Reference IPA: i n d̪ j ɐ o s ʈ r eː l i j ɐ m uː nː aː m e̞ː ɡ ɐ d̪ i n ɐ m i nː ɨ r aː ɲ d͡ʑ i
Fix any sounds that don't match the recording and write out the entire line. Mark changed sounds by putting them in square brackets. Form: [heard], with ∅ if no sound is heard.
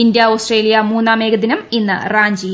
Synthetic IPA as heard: i n d̪ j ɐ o s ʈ r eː l i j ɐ m uː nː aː m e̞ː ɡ ɐ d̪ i n ɐ m i nː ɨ r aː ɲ d͡ʑ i